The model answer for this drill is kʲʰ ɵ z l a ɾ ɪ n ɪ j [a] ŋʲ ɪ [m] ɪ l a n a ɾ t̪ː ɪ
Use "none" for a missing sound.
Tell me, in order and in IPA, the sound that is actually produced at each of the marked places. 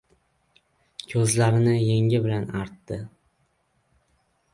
e, b

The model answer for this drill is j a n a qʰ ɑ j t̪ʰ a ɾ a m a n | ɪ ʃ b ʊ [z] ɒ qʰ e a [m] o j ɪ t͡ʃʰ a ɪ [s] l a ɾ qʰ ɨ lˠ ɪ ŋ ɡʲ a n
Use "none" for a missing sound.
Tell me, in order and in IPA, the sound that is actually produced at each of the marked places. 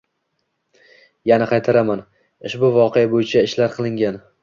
v, b, ʃ

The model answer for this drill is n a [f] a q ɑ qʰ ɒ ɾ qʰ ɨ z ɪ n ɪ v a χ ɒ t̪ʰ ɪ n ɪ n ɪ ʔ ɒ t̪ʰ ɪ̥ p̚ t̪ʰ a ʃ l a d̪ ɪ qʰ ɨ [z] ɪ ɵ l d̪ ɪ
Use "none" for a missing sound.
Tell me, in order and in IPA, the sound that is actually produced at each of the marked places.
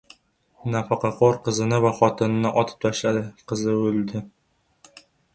f, z

